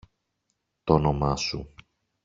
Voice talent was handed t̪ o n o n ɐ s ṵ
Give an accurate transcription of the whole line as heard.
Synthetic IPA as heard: t̪ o n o m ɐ s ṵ